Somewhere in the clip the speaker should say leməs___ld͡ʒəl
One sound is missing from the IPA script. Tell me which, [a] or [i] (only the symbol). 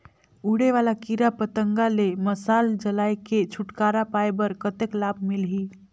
a